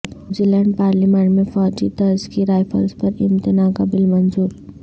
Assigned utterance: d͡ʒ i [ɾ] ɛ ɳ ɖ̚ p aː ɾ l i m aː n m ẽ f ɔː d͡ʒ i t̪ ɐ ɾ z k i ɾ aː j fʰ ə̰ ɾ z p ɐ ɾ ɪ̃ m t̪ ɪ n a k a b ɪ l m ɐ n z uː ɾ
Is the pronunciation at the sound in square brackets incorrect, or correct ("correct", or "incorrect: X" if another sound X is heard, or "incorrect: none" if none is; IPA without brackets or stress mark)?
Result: incorrect: l